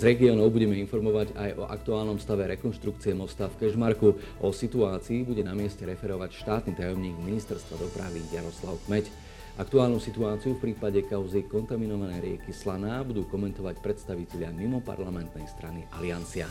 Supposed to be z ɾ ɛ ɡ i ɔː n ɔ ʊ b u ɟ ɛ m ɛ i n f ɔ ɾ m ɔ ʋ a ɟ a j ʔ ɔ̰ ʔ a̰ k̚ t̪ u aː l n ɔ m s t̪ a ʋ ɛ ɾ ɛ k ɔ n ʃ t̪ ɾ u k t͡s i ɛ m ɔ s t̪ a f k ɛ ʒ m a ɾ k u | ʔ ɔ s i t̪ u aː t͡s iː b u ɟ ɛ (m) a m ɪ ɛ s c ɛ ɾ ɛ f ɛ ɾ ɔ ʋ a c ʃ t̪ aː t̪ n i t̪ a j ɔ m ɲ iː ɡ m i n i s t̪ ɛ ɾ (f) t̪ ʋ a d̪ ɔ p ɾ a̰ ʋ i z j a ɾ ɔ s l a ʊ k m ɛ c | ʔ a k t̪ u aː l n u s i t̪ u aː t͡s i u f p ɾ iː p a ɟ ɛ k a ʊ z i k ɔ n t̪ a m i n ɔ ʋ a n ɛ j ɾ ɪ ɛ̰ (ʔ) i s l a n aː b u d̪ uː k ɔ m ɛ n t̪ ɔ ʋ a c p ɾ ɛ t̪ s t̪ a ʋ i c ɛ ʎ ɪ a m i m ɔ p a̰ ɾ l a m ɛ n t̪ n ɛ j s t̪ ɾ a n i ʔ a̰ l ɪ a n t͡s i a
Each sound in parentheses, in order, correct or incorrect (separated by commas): incorrect, incorrect, incorrect